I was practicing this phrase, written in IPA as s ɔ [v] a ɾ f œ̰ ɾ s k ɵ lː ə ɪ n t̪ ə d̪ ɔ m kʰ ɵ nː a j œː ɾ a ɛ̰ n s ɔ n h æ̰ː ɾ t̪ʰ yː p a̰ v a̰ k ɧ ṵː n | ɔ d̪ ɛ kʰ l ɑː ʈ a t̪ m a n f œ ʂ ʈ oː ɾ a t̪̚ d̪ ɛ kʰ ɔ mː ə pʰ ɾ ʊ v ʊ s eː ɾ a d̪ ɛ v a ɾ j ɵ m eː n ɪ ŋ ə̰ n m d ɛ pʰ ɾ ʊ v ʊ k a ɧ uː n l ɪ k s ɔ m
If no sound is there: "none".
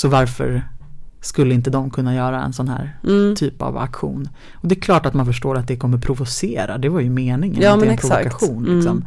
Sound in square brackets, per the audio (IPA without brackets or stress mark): v